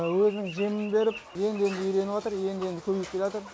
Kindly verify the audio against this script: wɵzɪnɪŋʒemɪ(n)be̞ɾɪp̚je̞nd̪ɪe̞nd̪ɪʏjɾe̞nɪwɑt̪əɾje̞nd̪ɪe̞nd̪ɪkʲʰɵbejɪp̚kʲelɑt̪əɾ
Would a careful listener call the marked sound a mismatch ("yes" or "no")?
no